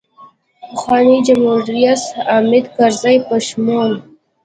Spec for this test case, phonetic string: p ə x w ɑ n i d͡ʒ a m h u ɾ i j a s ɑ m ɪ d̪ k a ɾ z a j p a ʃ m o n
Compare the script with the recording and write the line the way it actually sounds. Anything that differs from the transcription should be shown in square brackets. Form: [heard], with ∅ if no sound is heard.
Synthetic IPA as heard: p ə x w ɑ n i d͡ʒ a m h u ɾ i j a s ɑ m ɪ d̪ k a ɾ z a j p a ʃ m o n